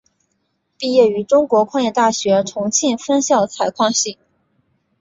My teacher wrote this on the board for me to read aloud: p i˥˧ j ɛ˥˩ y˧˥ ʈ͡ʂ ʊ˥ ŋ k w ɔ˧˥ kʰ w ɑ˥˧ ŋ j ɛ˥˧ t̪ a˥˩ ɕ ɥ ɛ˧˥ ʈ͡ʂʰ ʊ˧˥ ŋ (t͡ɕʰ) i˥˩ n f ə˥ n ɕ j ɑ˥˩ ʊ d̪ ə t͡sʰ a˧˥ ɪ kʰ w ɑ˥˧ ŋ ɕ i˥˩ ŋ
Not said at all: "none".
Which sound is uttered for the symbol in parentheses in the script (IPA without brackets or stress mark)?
t͡ɕʰ